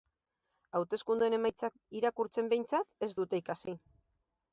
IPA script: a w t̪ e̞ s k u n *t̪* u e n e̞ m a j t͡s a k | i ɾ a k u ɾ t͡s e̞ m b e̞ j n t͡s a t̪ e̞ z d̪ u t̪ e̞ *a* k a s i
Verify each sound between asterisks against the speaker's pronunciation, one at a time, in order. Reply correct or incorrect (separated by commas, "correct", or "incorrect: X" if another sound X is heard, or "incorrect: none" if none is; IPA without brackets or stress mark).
incorrect: d̪, incorrect: i